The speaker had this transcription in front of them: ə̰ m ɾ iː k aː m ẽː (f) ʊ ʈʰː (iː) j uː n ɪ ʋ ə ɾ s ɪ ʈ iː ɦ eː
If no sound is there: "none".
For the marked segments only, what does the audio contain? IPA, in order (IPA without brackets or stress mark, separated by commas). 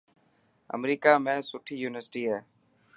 s, iː